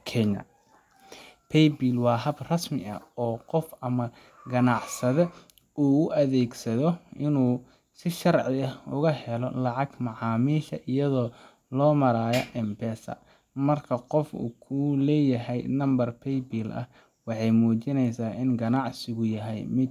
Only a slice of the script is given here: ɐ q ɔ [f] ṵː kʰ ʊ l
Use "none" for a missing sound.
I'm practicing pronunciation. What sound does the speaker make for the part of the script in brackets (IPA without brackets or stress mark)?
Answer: f